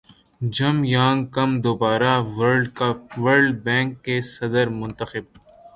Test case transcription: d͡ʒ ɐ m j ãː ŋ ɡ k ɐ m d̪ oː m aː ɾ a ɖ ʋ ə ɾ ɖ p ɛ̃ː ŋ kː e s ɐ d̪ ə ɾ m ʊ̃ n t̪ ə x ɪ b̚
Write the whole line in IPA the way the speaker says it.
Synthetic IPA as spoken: d͡ʒ ɐ m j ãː ŋ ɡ k ɐ m d̪ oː b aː ɾ a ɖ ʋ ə ɾ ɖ b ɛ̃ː ŋ kː e s ɐ d̪ ə ɾ m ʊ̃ n t̪ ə x ɪ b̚